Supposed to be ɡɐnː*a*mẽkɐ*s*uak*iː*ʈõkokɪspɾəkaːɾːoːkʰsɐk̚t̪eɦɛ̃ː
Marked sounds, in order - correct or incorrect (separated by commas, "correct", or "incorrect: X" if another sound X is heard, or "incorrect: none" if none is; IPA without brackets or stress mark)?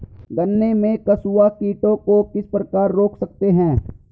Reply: incorrect: e, correct, correct